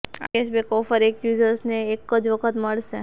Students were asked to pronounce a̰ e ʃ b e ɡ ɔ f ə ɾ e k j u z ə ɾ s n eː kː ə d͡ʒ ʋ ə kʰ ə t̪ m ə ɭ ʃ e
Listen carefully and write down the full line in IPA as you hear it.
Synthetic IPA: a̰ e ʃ b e k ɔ f ə ɾ e k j u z ə ɾ s n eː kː ə d͡ʒ ʋ ə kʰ ə t̪ m ə ɭ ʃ e